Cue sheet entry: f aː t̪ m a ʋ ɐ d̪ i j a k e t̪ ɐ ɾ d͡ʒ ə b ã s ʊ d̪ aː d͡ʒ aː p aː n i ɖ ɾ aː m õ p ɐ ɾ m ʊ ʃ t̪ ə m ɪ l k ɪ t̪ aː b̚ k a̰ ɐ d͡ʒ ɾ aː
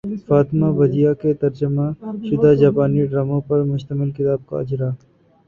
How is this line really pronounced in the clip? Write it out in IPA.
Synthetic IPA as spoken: f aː t̪ m a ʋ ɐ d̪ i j a k e t̪ ɐ ɾ d͡ʒ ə m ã ʃ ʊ d̪ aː d͡ʒ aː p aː n i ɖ ɾ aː m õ p ɐ ɾ m ʊ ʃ t̪ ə m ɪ l k ɪ t̪ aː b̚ k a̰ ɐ d͡ʒ ɾ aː